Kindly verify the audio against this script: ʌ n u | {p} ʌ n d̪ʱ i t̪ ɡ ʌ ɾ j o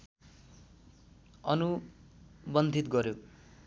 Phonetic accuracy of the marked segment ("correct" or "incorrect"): incorrect